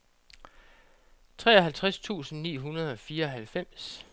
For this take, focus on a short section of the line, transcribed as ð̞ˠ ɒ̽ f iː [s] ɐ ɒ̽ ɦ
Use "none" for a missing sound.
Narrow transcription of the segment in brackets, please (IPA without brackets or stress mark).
none